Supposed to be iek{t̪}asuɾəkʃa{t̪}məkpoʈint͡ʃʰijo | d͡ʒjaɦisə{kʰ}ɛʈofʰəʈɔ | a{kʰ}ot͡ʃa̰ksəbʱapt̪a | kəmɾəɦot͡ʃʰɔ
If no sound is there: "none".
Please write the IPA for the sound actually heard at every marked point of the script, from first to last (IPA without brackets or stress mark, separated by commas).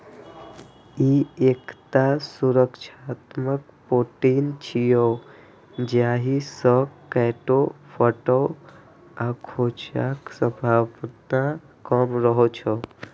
t̪, t̪, k, kʰ